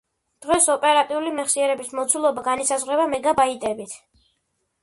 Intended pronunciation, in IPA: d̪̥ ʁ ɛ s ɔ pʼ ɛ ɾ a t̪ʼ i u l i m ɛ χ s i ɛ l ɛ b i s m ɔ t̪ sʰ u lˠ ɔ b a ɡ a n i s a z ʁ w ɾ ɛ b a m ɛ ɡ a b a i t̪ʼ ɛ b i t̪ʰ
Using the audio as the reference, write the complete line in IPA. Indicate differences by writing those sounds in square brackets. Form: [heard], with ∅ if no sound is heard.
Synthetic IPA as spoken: d̪̥ ʁ ɛ s ɔ pʼ ɛ ɾ a t̪ʼ i u l i m ɛ χ s i ɛ [ɾ] ɛ b i s m ɔ t̪ sʰ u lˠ ɔ b a ɡ a n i s a z ʁ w ɾ ɛ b a m ɛ ɡ a b a i t̪ʼ ɛ b i t̪ʰ